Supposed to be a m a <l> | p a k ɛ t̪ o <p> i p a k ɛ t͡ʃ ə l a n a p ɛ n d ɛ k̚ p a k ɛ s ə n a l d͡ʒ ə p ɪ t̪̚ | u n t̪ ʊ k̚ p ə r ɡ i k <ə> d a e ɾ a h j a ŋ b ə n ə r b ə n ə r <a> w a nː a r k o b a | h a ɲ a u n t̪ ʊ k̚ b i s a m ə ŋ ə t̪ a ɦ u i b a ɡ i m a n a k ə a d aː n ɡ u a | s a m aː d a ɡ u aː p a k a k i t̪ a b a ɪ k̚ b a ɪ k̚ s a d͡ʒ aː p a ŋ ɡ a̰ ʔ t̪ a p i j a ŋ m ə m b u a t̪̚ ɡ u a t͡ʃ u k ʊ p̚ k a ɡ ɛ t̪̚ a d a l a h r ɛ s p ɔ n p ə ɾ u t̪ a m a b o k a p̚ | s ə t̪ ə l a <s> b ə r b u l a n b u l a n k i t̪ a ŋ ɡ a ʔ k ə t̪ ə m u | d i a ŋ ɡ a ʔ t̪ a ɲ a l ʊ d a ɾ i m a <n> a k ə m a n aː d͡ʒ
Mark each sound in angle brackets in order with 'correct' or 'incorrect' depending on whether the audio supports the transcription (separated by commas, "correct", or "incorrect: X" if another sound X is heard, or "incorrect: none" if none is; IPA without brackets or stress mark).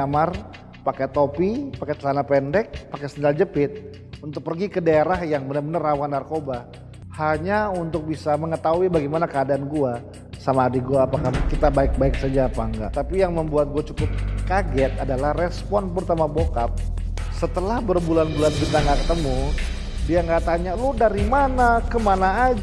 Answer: incorrect: r, correct, correct, correct, incorrect: h, correct